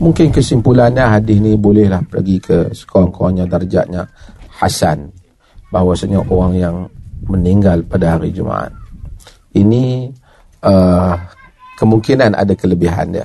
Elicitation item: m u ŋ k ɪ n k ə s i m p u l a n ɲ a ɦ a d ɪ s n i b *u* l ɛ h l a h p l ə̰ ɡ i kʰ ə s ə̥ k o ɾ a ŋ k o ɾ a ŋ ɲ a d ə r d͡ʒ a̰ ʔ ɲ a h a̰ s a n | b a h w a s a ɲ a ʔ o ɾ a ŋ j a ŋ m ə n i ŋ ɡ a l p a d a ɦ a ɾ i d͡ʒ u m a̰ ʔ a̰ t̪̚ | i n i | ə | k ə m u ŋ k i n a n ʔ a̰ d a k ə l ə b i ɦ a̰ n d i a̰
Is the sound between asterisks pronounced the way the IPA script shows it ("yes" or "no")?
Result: no